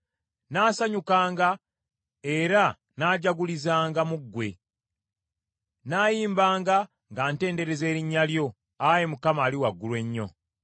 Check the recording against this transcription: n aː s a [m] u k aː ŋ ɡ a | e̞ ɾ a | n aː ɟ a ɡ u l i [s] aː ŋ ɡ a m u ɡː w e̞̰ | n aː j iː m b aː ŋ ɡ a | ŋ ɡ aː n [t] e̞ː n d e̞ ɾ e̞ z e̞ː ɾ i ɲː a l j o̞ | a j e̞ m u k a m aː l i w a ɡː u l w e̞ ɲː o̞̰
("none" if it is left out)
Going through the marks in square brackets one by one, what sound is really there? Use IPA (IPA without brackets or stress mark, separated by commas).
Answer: ɲ, z, t